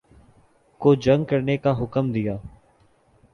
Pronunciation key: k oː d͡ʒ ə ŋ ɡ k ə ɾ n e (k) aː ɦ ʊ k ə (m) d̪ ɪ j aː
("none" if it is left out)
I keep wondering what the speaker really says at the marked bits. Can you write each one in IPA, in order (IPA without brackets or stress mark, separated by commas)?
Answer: k, m